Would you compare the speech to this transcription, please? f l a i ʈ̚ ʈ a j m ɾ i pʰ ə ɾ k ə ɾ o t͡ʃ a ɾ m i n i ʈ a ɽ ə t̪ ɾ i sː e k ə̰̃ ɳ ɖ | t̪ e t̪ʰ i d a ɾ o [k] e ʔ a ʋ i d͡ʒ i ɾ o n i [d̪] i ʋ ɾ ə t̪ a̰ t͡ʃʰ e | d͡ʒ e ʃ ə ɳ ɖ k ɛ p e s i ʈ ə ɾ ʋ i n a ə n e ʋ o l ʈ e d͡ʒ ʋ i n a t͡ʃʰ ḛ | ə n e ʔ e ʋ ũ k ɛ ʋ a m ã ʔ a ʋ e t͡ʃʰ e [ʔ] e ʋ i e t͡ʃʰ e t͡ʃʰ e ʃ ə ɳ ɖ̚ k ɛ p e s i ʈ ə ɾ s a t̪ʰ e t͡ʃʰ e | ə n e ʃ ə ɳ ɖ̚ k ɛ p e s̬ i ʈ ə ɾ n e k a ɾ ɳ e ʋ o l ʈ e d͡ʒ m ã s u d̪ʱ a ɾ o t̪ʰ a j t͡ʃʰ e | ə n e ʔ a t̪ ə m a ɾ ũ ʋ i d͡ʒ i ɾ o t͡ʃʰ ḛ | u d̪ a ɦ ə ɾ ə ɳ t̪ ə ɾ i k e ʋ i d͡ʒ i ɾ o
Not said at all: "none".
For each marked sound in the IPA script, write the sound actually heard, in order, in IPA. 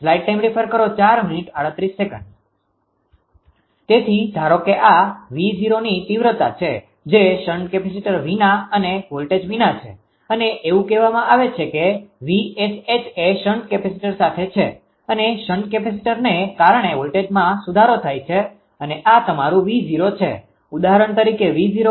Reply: k, t̪, k

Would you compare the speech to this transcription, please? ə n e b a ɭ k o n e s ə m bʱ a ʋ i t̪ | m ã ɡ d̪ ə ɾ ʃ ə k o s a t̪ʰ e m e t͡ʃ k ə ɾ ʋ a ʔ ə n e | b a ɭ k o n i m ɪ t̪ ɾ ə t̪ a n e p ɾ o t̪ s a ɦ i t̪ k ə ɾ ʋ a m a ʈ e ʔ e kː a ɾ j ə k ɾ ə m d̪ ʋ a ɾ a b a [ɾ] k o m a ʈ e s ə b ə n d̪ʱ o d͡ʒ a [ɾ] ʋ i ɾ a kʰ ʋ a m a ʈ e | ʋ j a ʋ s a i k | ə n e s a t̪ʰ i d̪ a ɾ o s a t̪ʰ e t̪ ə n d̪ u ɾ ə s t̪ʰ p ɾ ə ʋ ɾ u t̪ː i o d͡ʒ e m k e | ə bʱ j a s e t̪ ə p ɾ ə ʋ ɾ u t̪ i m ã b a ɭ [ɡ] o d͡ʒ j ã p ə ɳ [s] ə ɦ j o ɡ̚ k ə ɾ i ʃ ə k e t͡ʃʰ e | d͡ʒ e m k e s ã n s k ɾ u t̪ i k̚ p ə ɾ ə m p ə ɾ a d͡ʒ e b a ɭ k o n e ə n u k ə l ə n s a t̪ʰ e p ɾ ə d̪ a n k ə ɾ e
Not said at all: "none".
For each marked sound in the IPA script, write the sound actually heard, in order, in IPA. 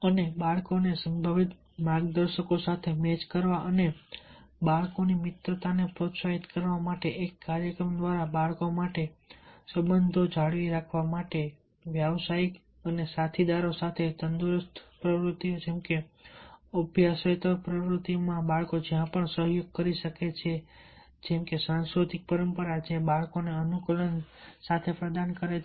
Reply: ɭ, ɭ, k, s

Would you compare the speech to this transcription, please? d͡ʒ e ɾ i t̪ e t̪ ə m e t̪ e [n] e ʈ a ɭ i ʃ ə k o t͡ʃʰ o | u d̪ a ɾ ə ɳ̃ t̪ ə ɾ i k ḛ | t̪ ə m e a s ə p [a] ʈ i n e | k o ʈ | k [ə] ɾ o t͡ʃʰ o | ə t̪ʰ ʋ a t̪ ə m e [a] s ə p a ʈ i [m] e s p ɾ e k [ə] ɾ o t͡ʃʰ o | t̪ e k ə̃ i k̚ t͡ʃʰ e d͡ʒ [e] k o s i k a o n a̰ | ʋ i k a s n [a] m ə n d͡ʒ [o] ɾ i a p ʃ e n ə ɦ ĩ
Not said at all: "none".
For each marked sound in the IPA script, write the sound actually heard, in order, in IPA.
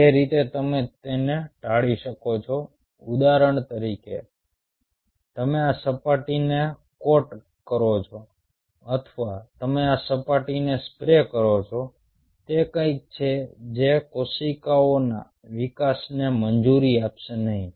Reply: n, a, ə, a, n, ə, e, e, u

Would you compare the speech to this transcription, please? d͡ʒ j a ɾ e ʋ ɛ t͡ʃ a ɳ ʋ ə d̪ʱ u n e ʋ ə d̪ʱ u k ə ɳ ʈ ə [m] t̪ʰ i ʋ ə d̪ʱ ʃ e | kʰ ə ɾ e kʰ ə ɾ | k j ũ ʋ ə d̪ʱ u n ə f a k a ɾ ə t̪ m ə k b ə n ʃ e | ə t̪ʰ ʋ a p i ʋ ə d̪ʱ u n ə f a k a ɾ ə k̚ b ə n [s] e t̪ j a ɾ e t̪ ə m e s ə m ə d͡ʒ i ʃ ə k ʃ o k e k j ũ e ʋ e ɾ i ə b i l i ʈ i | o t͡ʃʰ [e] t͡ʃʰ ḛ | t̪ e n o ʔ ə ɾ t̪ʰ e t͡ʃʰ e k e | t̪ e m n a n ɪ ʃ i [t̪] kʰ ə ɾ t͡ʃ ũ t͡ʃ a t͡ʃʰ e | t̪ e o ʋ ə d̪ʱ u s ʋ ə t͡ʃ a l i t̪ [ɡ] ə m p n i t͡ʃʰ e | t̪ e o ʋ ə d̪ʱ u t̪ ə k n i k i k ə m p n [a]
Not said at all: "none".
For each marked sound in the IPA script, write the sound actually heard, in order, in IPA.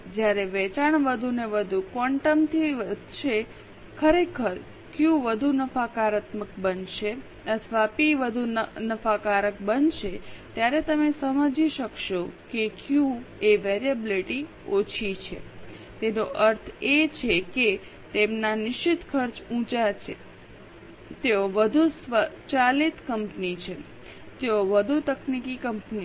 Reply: m, ʃ, i, t̪, k, i

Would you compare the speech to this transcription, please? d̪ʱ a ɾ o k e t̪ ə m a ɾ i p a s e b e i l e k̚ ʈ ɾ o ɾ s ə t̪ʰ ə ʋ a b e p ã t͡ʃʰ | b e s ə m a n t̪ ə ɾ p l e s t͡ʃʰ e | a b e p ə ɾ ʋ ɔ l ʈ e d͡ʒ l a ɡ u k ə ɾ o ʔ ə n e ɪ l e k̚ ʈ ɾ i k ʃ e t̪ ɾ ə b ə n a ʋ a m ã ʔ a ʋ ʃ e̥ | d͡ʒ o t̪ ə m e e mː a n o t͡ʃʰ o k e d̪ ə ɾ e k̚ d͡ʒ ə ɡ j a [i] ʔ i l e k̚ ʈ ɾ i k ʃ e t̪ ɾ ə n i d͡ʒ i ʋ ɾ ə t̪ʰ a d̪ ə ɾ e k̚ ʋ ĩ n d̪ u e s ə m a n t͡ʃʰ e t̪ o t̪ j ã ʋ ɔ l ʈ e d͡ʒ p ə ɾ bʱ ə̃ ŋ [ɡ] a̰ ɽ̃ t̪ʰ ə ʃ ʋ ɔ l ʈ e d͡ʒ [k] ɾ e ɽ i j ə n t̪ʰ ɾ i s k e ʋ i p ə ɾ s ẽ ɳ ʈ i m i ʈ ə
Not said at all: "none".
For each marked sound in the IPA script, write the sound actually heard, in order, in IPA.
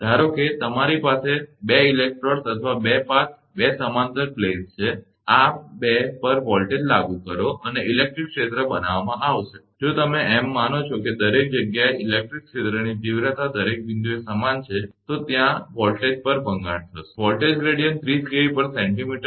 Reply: e, ɡ, ɡ

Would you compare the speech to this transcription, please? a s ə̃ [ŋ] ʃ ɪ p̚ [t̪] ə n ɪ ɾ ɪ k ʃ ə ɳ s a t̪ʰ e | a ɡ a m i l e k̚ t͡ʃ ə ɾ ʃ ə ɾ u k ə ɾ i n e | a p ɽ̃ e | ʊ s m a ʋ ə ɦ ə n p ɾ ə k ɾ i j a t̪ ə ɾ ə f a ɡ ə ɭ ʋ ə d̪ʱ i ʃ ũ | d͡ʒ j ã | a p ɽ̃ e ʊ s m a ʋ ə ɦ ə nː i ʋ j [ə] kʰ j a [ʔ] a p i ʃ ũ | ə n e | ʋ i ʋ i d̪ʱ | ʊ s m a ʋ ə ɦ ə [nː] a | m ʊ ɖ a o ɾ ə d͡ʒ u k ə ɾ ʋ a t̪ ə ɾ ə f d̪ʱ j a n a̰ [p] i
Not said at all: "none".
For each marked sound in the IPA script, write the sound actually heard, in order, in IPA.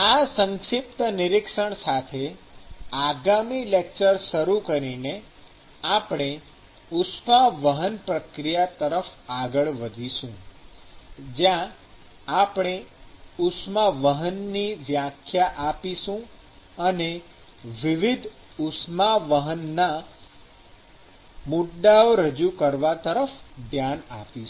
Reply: ŋ, t̪, a, ʔ, nː, p

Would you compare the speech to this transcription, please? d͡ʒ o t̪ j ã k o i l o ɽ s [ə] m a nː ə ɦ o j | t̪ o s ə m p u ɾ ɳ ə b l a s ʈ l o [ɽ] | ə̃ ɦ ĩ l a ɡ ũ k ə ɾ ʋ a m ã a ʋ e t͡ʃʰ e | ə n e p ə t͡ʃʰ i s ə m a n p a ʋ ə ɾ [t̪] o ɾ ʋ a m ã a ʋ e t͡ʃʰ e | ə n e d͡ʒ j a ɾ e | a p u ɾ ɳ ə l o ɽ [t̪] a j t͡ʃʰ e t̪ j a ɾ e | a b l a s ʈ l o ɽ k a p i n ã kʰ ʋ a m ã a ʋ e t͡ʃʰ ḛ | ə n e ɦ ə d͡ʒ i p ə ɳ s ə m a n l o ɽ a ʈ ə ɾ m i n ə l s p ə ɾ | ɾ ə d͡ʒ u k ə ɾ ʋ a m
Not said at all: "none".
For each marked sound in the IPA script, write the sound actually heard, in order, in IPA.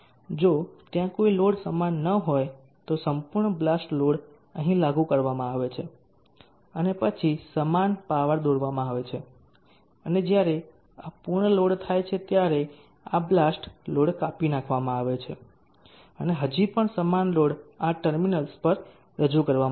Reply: ə, ɽ, d̪, t̪ʰ

